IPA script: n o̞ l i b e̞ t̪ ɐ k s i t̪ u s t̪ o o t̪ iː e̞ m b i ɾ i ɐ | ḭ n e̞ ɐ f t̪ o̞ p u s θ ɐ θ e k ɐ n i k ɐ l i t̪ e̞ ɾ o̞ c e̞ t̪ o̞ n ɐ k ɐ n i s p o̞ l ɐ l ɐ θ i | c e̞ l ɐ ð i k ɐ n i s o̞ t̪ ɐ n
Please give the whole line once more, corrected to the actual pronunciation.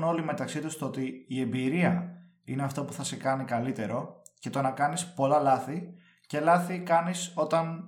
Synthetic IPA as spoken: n o̞ l i m e̞ t̪ ɐ k s i t̪ u s t̪ o o t̪ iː e̞ m b i ɾ i ɐ | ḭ n e̞ ɐ f t̪ o̞ p u θ ɐ s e k ɐ n i k ɐ l i t̪ e̞ ɾ o̞ c e̞ t̪ o̞ n ɐ k ɐ n i s p o̞ l ɐ l ɐ θ i | c e̞ l ɐ θ i k ɐ n i s o̞ t̪ ɐ n